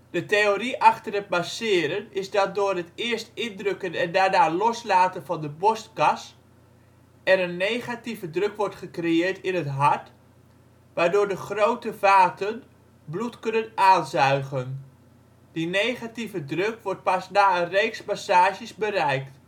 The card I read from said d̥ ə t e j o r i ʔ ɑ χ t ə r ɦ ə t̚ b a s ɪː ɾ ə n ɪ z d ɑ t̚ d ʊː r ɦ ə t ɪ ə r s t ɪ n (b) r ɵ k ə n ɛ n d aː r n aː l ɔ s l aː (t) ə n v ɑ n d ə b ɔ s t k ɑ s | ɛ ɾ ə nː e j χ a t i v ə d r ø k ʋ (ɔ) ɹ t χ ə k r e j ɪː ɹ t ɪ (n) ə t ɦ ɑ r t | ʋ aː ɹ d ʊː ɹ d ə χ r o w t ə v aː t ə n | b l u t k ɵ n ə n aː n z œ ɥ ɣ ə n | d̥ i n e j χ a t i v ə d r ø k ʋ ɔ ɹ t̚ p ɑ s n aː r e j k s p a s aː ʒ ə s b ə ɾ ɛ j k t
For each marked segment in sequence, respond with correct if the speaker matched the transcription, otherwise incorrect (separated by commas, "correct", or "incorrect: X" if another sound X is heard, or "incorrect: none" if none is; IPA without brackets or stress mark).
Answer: incorrect: d, correct, correct, correct